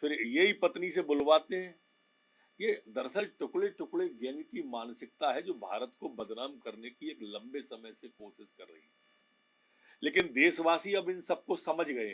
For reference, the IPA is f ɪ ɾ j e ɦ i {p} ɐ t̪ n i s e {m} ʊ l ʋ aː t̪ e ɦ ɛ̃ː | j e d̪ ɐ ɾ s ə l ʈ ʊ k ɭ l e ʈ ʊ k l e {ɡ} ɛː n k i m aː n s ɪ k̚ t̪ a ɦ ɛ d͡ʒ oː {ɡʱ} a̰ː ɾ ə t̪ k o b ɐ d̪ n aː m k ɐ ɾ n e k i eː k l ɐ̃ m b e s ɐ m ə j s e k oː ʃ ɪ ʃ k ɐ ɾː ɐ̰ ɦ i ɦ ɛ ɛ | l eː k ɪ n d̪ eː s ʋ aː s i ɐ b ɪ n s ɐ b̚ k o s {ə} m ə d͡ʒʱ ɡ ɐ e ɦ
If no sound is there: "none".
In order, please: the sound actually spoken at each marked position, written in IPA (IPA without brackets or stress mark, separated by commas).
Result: p, b, ɡ, bʱ, ɐ